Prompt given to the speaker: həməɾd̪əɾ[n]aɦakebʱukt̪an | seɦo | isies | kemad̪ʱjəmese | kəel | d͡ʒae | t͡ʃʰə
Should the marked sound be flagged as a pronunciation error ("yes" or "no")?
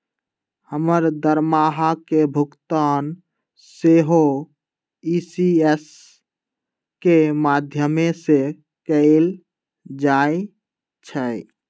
yes